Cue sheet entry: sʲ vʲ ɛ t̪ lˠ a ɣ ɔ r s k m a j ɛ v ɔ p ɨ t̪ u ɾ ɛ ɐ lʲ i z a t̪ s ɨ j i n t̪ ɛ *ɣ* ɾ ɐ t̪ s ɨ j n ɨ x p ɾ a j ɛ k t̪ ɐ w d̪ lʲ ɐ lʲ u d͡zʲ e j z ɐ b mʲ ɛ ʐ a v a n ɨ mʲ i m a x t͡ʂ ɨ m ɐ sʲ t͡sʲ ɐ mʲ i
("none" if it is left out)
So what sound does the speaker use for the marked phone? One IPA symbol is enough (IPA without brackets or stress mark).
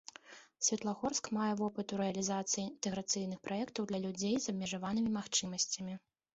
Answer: ɣ